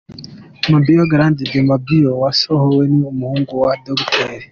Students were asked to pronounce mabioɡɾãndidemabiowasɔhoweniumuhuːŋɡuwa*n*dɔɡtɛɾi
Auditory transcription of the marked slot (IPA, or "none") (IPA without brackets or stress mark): none